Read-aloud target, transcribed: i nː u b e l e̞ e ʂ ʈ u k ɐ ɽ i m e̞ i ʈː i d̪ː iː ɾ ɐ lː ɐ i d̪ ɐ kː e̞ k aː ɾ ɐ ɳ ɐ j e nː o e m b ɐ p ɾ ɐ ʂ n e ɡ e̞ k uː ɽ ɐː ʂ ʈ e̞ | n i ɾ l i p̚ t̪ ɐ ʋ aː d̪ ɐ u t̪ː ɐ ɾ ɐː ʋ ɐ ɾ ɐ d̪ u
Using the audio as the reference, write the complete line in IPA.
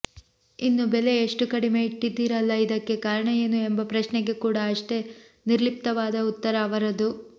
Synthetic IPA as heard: i nː u b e l e̞ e ʂ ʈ u k ɐ ɽ i m e̞ i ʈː i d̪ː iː ɾ ɐ lː ɐ i d̪ ɐ kː e̞ k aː ɾ ɐ ɳ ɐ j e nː u e m b ɐ p ɾ ɐ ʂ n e ɡ e̞ k uː ɽ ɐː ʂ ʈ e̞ | n i ɾ l i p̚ t̪ ɐ ʋ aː d̪ ɐ u t̪ː ɐ ɾ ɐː ʋ ɐ ɾ ɐ d̪ u